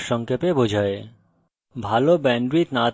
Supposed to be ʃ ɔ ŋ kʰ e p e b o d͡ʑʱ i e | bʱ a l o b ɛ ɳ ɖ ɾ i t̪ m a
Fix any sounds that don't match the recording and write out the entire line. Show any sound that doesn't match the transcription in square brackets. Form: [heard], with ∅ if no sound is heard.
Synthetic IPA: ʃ ɔ ŋ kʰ e p e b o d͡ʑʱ [a] e | bʱ a l o b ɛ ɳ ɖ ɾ i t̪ [n] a